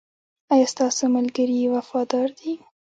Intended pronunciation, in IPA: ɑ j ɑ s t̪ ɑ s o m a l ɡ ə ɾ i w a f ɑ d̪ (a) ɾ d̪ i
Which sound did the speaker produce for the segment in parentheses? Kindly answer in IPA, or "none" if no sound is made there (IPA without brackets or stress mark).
ɑ